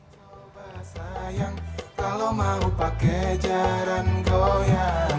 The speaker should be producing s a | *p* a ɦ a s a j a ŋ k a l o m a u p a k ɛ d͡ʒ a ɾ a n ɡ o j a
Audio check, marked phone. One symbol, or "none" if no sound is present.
b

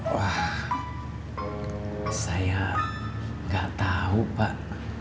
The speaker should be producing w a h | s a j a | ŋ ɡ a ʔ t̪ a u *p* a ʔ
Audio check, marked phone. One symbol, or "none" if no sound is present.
p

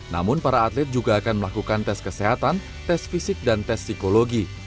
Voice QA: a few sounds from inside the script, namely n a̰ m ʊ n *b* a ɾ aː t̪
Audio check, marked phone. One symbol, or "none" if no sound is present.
p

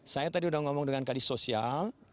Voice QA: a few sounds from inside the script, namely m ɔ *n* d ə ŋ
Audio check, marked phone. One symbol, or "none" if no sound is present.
ŋ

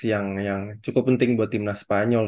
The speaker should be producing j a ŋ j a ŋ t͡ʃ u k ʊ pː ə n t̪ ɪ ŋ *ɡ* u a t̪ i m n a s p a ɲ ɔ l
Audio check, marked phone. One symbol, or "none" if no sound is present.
b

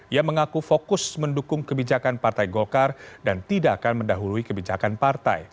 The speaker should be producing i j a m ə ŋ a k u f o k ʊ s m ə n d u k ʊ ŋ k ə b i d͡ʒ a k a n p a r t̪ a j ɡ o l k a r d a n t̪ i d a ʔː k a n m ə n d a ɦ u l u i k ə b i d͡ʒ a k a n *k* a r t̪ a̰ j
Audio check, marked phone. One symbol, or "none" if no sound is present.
p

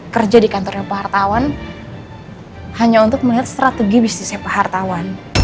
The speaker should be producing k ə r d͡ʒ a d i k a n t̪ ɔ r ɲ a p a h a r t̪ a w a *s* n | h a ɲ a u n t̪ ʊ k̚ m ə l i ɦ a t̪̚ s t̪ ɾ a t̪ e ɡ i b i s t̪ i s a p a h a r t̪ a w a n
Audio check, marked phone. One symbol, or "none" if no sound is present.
none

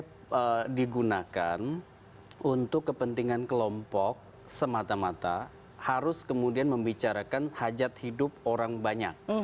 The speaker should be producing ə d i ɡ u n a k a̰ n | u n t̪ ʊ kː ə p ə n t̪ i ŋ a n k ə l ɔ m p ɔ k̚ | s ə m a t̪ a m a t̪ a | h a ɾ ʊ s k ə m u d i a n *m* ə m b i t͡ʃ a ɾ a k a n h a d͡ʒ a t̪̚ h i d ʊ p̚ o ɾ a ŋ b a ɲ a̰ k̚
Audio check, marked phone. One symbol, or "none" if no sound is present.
m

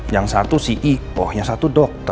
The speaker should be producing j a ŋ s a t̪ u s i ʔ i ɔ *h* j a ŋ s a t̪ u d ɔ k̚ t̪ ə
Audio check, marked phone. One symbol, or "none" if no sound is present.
h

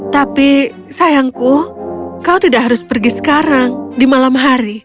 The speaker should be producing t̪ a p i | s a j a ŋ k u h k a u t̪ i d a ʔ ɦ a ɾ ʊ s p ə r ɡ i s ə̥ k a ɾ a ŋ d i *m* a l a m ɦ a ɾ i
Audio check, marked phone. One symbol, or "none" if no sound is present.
m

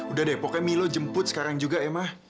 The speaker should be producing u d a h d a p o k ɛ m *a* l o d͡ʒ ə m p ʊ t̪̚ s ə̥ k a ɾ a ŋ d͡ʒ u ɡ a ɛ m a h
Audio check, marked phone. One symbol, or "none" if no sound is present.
i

